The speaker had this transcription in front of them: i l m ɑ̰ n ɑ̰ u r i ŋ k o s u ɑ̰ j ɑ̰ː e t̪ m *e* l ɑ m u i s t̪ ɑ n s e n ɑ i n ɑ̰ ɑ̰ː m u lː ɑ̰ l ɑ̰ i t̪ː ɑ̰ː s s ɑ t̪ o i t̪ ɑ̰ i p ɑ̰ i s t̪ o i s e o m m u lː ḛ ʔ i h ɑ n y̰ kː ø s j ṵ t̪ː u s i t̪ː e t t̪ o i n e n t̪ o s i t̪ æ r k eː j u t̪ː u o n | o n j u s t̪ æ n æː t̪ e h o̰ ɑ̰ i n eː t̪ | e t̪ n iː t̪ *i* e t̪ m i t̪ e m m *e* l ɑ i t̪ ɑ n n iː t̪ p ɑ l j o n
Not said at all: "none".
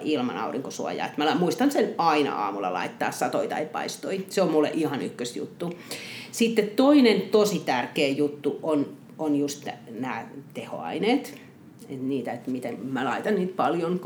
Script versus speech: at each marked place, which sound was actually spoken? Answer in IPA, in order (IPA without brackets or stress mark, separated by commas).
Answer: æ, æ, æ